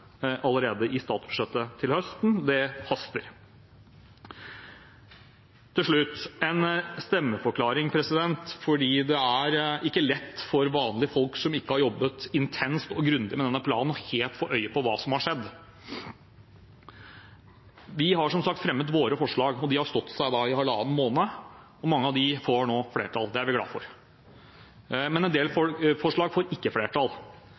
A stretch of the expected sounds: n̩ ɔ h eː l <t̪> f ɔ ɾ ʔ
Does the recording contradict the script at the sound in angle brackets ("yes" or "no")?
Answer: no